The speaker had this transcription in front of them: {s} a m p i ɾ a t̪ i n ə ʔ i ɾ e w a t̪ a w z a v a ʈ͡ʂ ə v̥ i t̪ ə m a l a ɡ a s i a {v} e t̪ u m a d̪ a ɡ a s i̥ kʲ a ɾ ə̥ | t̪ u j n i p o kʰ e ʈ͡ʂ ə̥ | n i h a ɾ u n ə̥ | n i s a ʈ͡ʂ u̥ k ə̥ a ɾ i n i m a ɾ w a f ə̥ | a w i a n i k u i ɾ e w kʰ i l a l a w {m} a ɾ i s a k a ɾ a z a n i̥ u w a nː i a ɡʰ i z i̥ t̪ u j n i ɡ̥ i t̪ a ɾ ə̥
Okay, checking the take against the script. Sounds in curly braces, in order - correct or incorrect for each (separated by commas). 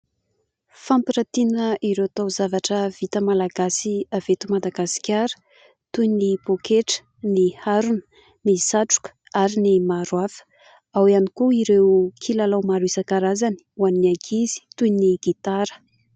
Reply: incorrect, correct, correct